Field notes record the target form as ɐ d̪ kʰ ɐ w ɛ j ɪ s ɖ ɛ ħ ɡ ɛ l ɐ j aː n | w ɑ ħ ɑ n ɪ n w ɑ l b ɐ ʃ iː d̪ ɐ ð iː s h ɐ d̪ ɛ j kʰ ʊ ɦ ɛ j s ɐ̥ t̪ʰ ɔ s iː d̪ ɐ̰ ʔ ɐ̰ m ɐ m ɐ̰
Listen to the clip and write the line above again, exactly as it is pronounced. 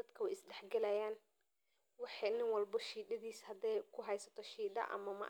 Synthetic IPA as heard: ɐ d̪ kʰ ɐ w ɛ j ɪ s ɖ ɛ ħ ɡ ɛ l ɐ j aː n | w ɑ ħ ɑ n ɪ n w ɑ l b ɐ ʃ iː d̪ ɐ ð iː s h ɐ d̪ ɛ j kʰ ʊ ɦ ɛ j s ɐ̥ t̪ʰ ɔ ʃ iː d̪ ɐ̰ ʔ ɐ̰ m ɐ m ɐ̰